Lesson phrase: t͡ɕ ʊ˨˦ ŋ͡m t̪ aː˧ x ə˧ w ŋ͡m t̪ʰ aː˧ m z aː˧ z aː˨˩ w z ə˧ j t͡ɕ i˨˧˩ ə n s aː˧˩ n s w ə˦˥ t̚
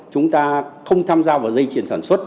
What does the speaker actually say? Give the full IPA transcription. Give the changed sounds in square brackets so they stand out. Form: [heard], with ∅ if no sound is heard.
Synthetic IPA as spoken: t͡ɕ ʊ˨˦ ŋ͡m t̪ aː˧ x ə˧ w ŋ͡m t̪ʰ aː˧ m z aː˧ [v] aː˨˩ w z ə˧ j t͡ɕ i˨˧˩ ə n s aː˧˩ n s w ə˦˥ t̚

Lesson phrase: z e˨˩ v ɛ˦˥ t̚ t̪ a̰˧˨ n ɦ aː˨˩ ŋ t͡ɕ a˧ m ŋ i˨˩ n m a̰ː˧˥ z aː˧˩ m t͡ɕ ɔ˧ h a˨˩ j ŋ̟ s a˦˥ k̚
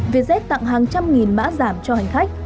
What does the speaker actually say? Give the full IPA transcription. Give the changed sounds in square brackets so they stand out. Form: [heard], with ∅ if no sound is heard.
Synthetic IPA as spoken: [v] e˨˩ [z] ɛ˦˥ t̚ t̪ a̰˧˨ [ŋ] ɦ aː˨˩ ŋ t͡ɕ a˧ m ŋ i˨˩ n m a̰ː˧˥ z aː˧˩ m t͡ɕ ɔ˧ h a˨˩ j ŋ̟ [x] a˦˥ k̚

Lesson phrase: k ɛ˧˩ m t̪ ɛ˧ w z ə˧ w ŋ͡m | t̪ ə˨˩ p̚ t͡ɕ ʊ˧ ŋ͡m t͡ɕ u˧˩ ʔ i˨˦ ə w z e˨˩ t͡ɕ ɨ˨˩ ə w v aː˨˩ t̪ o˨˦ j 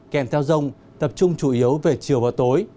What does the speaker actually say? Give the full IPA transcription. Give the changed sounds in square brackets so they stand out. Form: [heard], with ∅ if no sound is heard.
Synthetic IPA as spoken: k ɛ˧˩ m [t̪ʰ] ɛ˧ w z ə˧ w ŋ͡m | t̪ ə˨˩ p̚ t͡ɕ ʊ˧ ŋ͡m t͡ɕ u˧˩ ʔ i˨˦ ə w [v] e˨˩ t͡ɕ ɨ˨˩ ə w v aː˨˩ t̪ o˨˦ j

